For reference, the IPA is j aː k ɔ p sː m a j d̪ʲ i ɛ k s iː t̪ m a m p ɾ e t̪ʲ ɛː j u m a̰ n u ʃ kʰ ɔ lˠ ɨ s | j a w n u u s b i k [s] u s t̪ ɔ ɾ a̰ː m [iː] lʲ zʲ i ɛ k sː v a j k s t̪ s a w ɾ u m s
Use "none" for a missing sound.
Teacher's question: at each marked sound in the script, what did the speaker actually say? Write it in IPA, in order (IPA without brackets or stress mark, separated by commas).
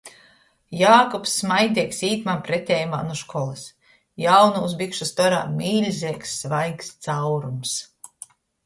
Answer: ʃ, iː